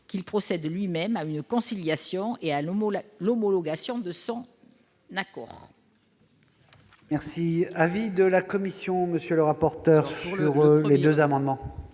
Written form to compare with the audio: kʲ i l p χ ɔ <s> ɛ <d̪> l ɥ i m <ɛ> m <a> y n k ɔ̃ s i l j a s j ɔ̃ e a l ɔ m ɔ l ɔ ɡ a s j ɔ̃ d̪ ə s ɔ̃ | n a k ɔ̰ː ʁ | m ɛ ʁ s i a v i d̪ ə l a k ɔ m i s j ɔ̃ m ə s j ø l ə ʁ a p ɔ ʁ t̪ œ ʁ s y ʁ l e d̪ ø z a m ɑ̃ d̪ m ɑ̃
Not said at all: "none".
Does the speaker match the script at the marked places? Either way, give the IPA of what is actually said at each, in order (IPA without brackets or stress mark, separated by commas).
s, d̪, ɛ, a